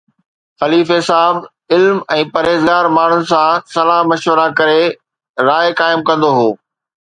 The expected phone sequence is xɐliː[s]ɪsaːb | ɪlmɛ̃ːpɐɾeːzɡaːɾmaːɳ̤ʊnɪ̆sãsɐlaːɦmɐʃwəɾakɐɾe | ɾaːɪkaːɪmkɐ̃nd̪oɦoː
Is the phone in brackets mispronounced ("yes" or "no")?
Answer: yes